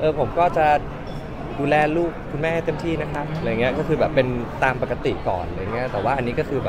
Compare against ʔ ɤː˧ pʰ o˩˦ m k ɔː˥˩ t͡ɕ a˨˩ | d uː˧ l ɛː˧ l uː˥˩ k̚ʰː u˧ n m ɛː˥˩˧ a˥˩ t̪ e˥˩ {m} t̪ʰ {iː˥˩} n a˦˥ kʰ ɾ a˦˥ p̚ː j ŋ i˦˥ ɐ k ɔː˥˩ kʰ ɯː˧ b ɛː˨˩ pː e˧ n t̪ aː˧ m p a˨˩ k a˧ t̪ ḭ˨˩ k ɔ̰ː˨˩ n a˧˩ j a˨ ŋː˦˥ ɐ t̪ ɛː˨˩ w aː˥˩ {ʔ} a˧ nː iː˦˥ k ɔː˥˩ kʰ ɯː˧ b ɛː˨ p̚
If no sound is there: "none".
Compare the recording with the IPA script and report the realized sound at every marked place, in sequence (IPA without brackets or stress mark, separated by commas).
m, iː˥˩, ʔ